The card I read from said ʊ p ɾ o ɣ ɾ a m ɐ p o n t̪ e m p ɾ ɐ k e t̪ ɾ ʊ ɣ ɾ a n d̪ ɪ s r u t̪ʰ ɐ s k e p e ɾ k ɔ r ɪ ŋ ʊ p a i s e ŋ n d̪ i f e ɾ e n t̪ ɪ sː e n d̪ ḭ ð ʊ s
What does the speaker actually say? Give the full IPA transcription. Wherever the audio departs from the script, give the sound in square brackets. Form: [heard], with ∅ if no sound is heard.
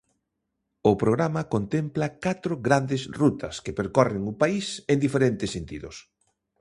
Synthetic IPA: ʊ p ɾ o ɣ ɾ a m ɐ [k] o n t̪ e m p [l] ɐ k [a] t̪ ɾ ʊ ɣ ɾ a n d̪ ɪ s r u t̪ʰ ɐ s k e p e ɾ k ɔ r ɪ ŋ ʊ p a i s e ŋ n d̪ i f e ɾ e n t̪ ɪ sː e n [t̪] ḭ ð ʊ s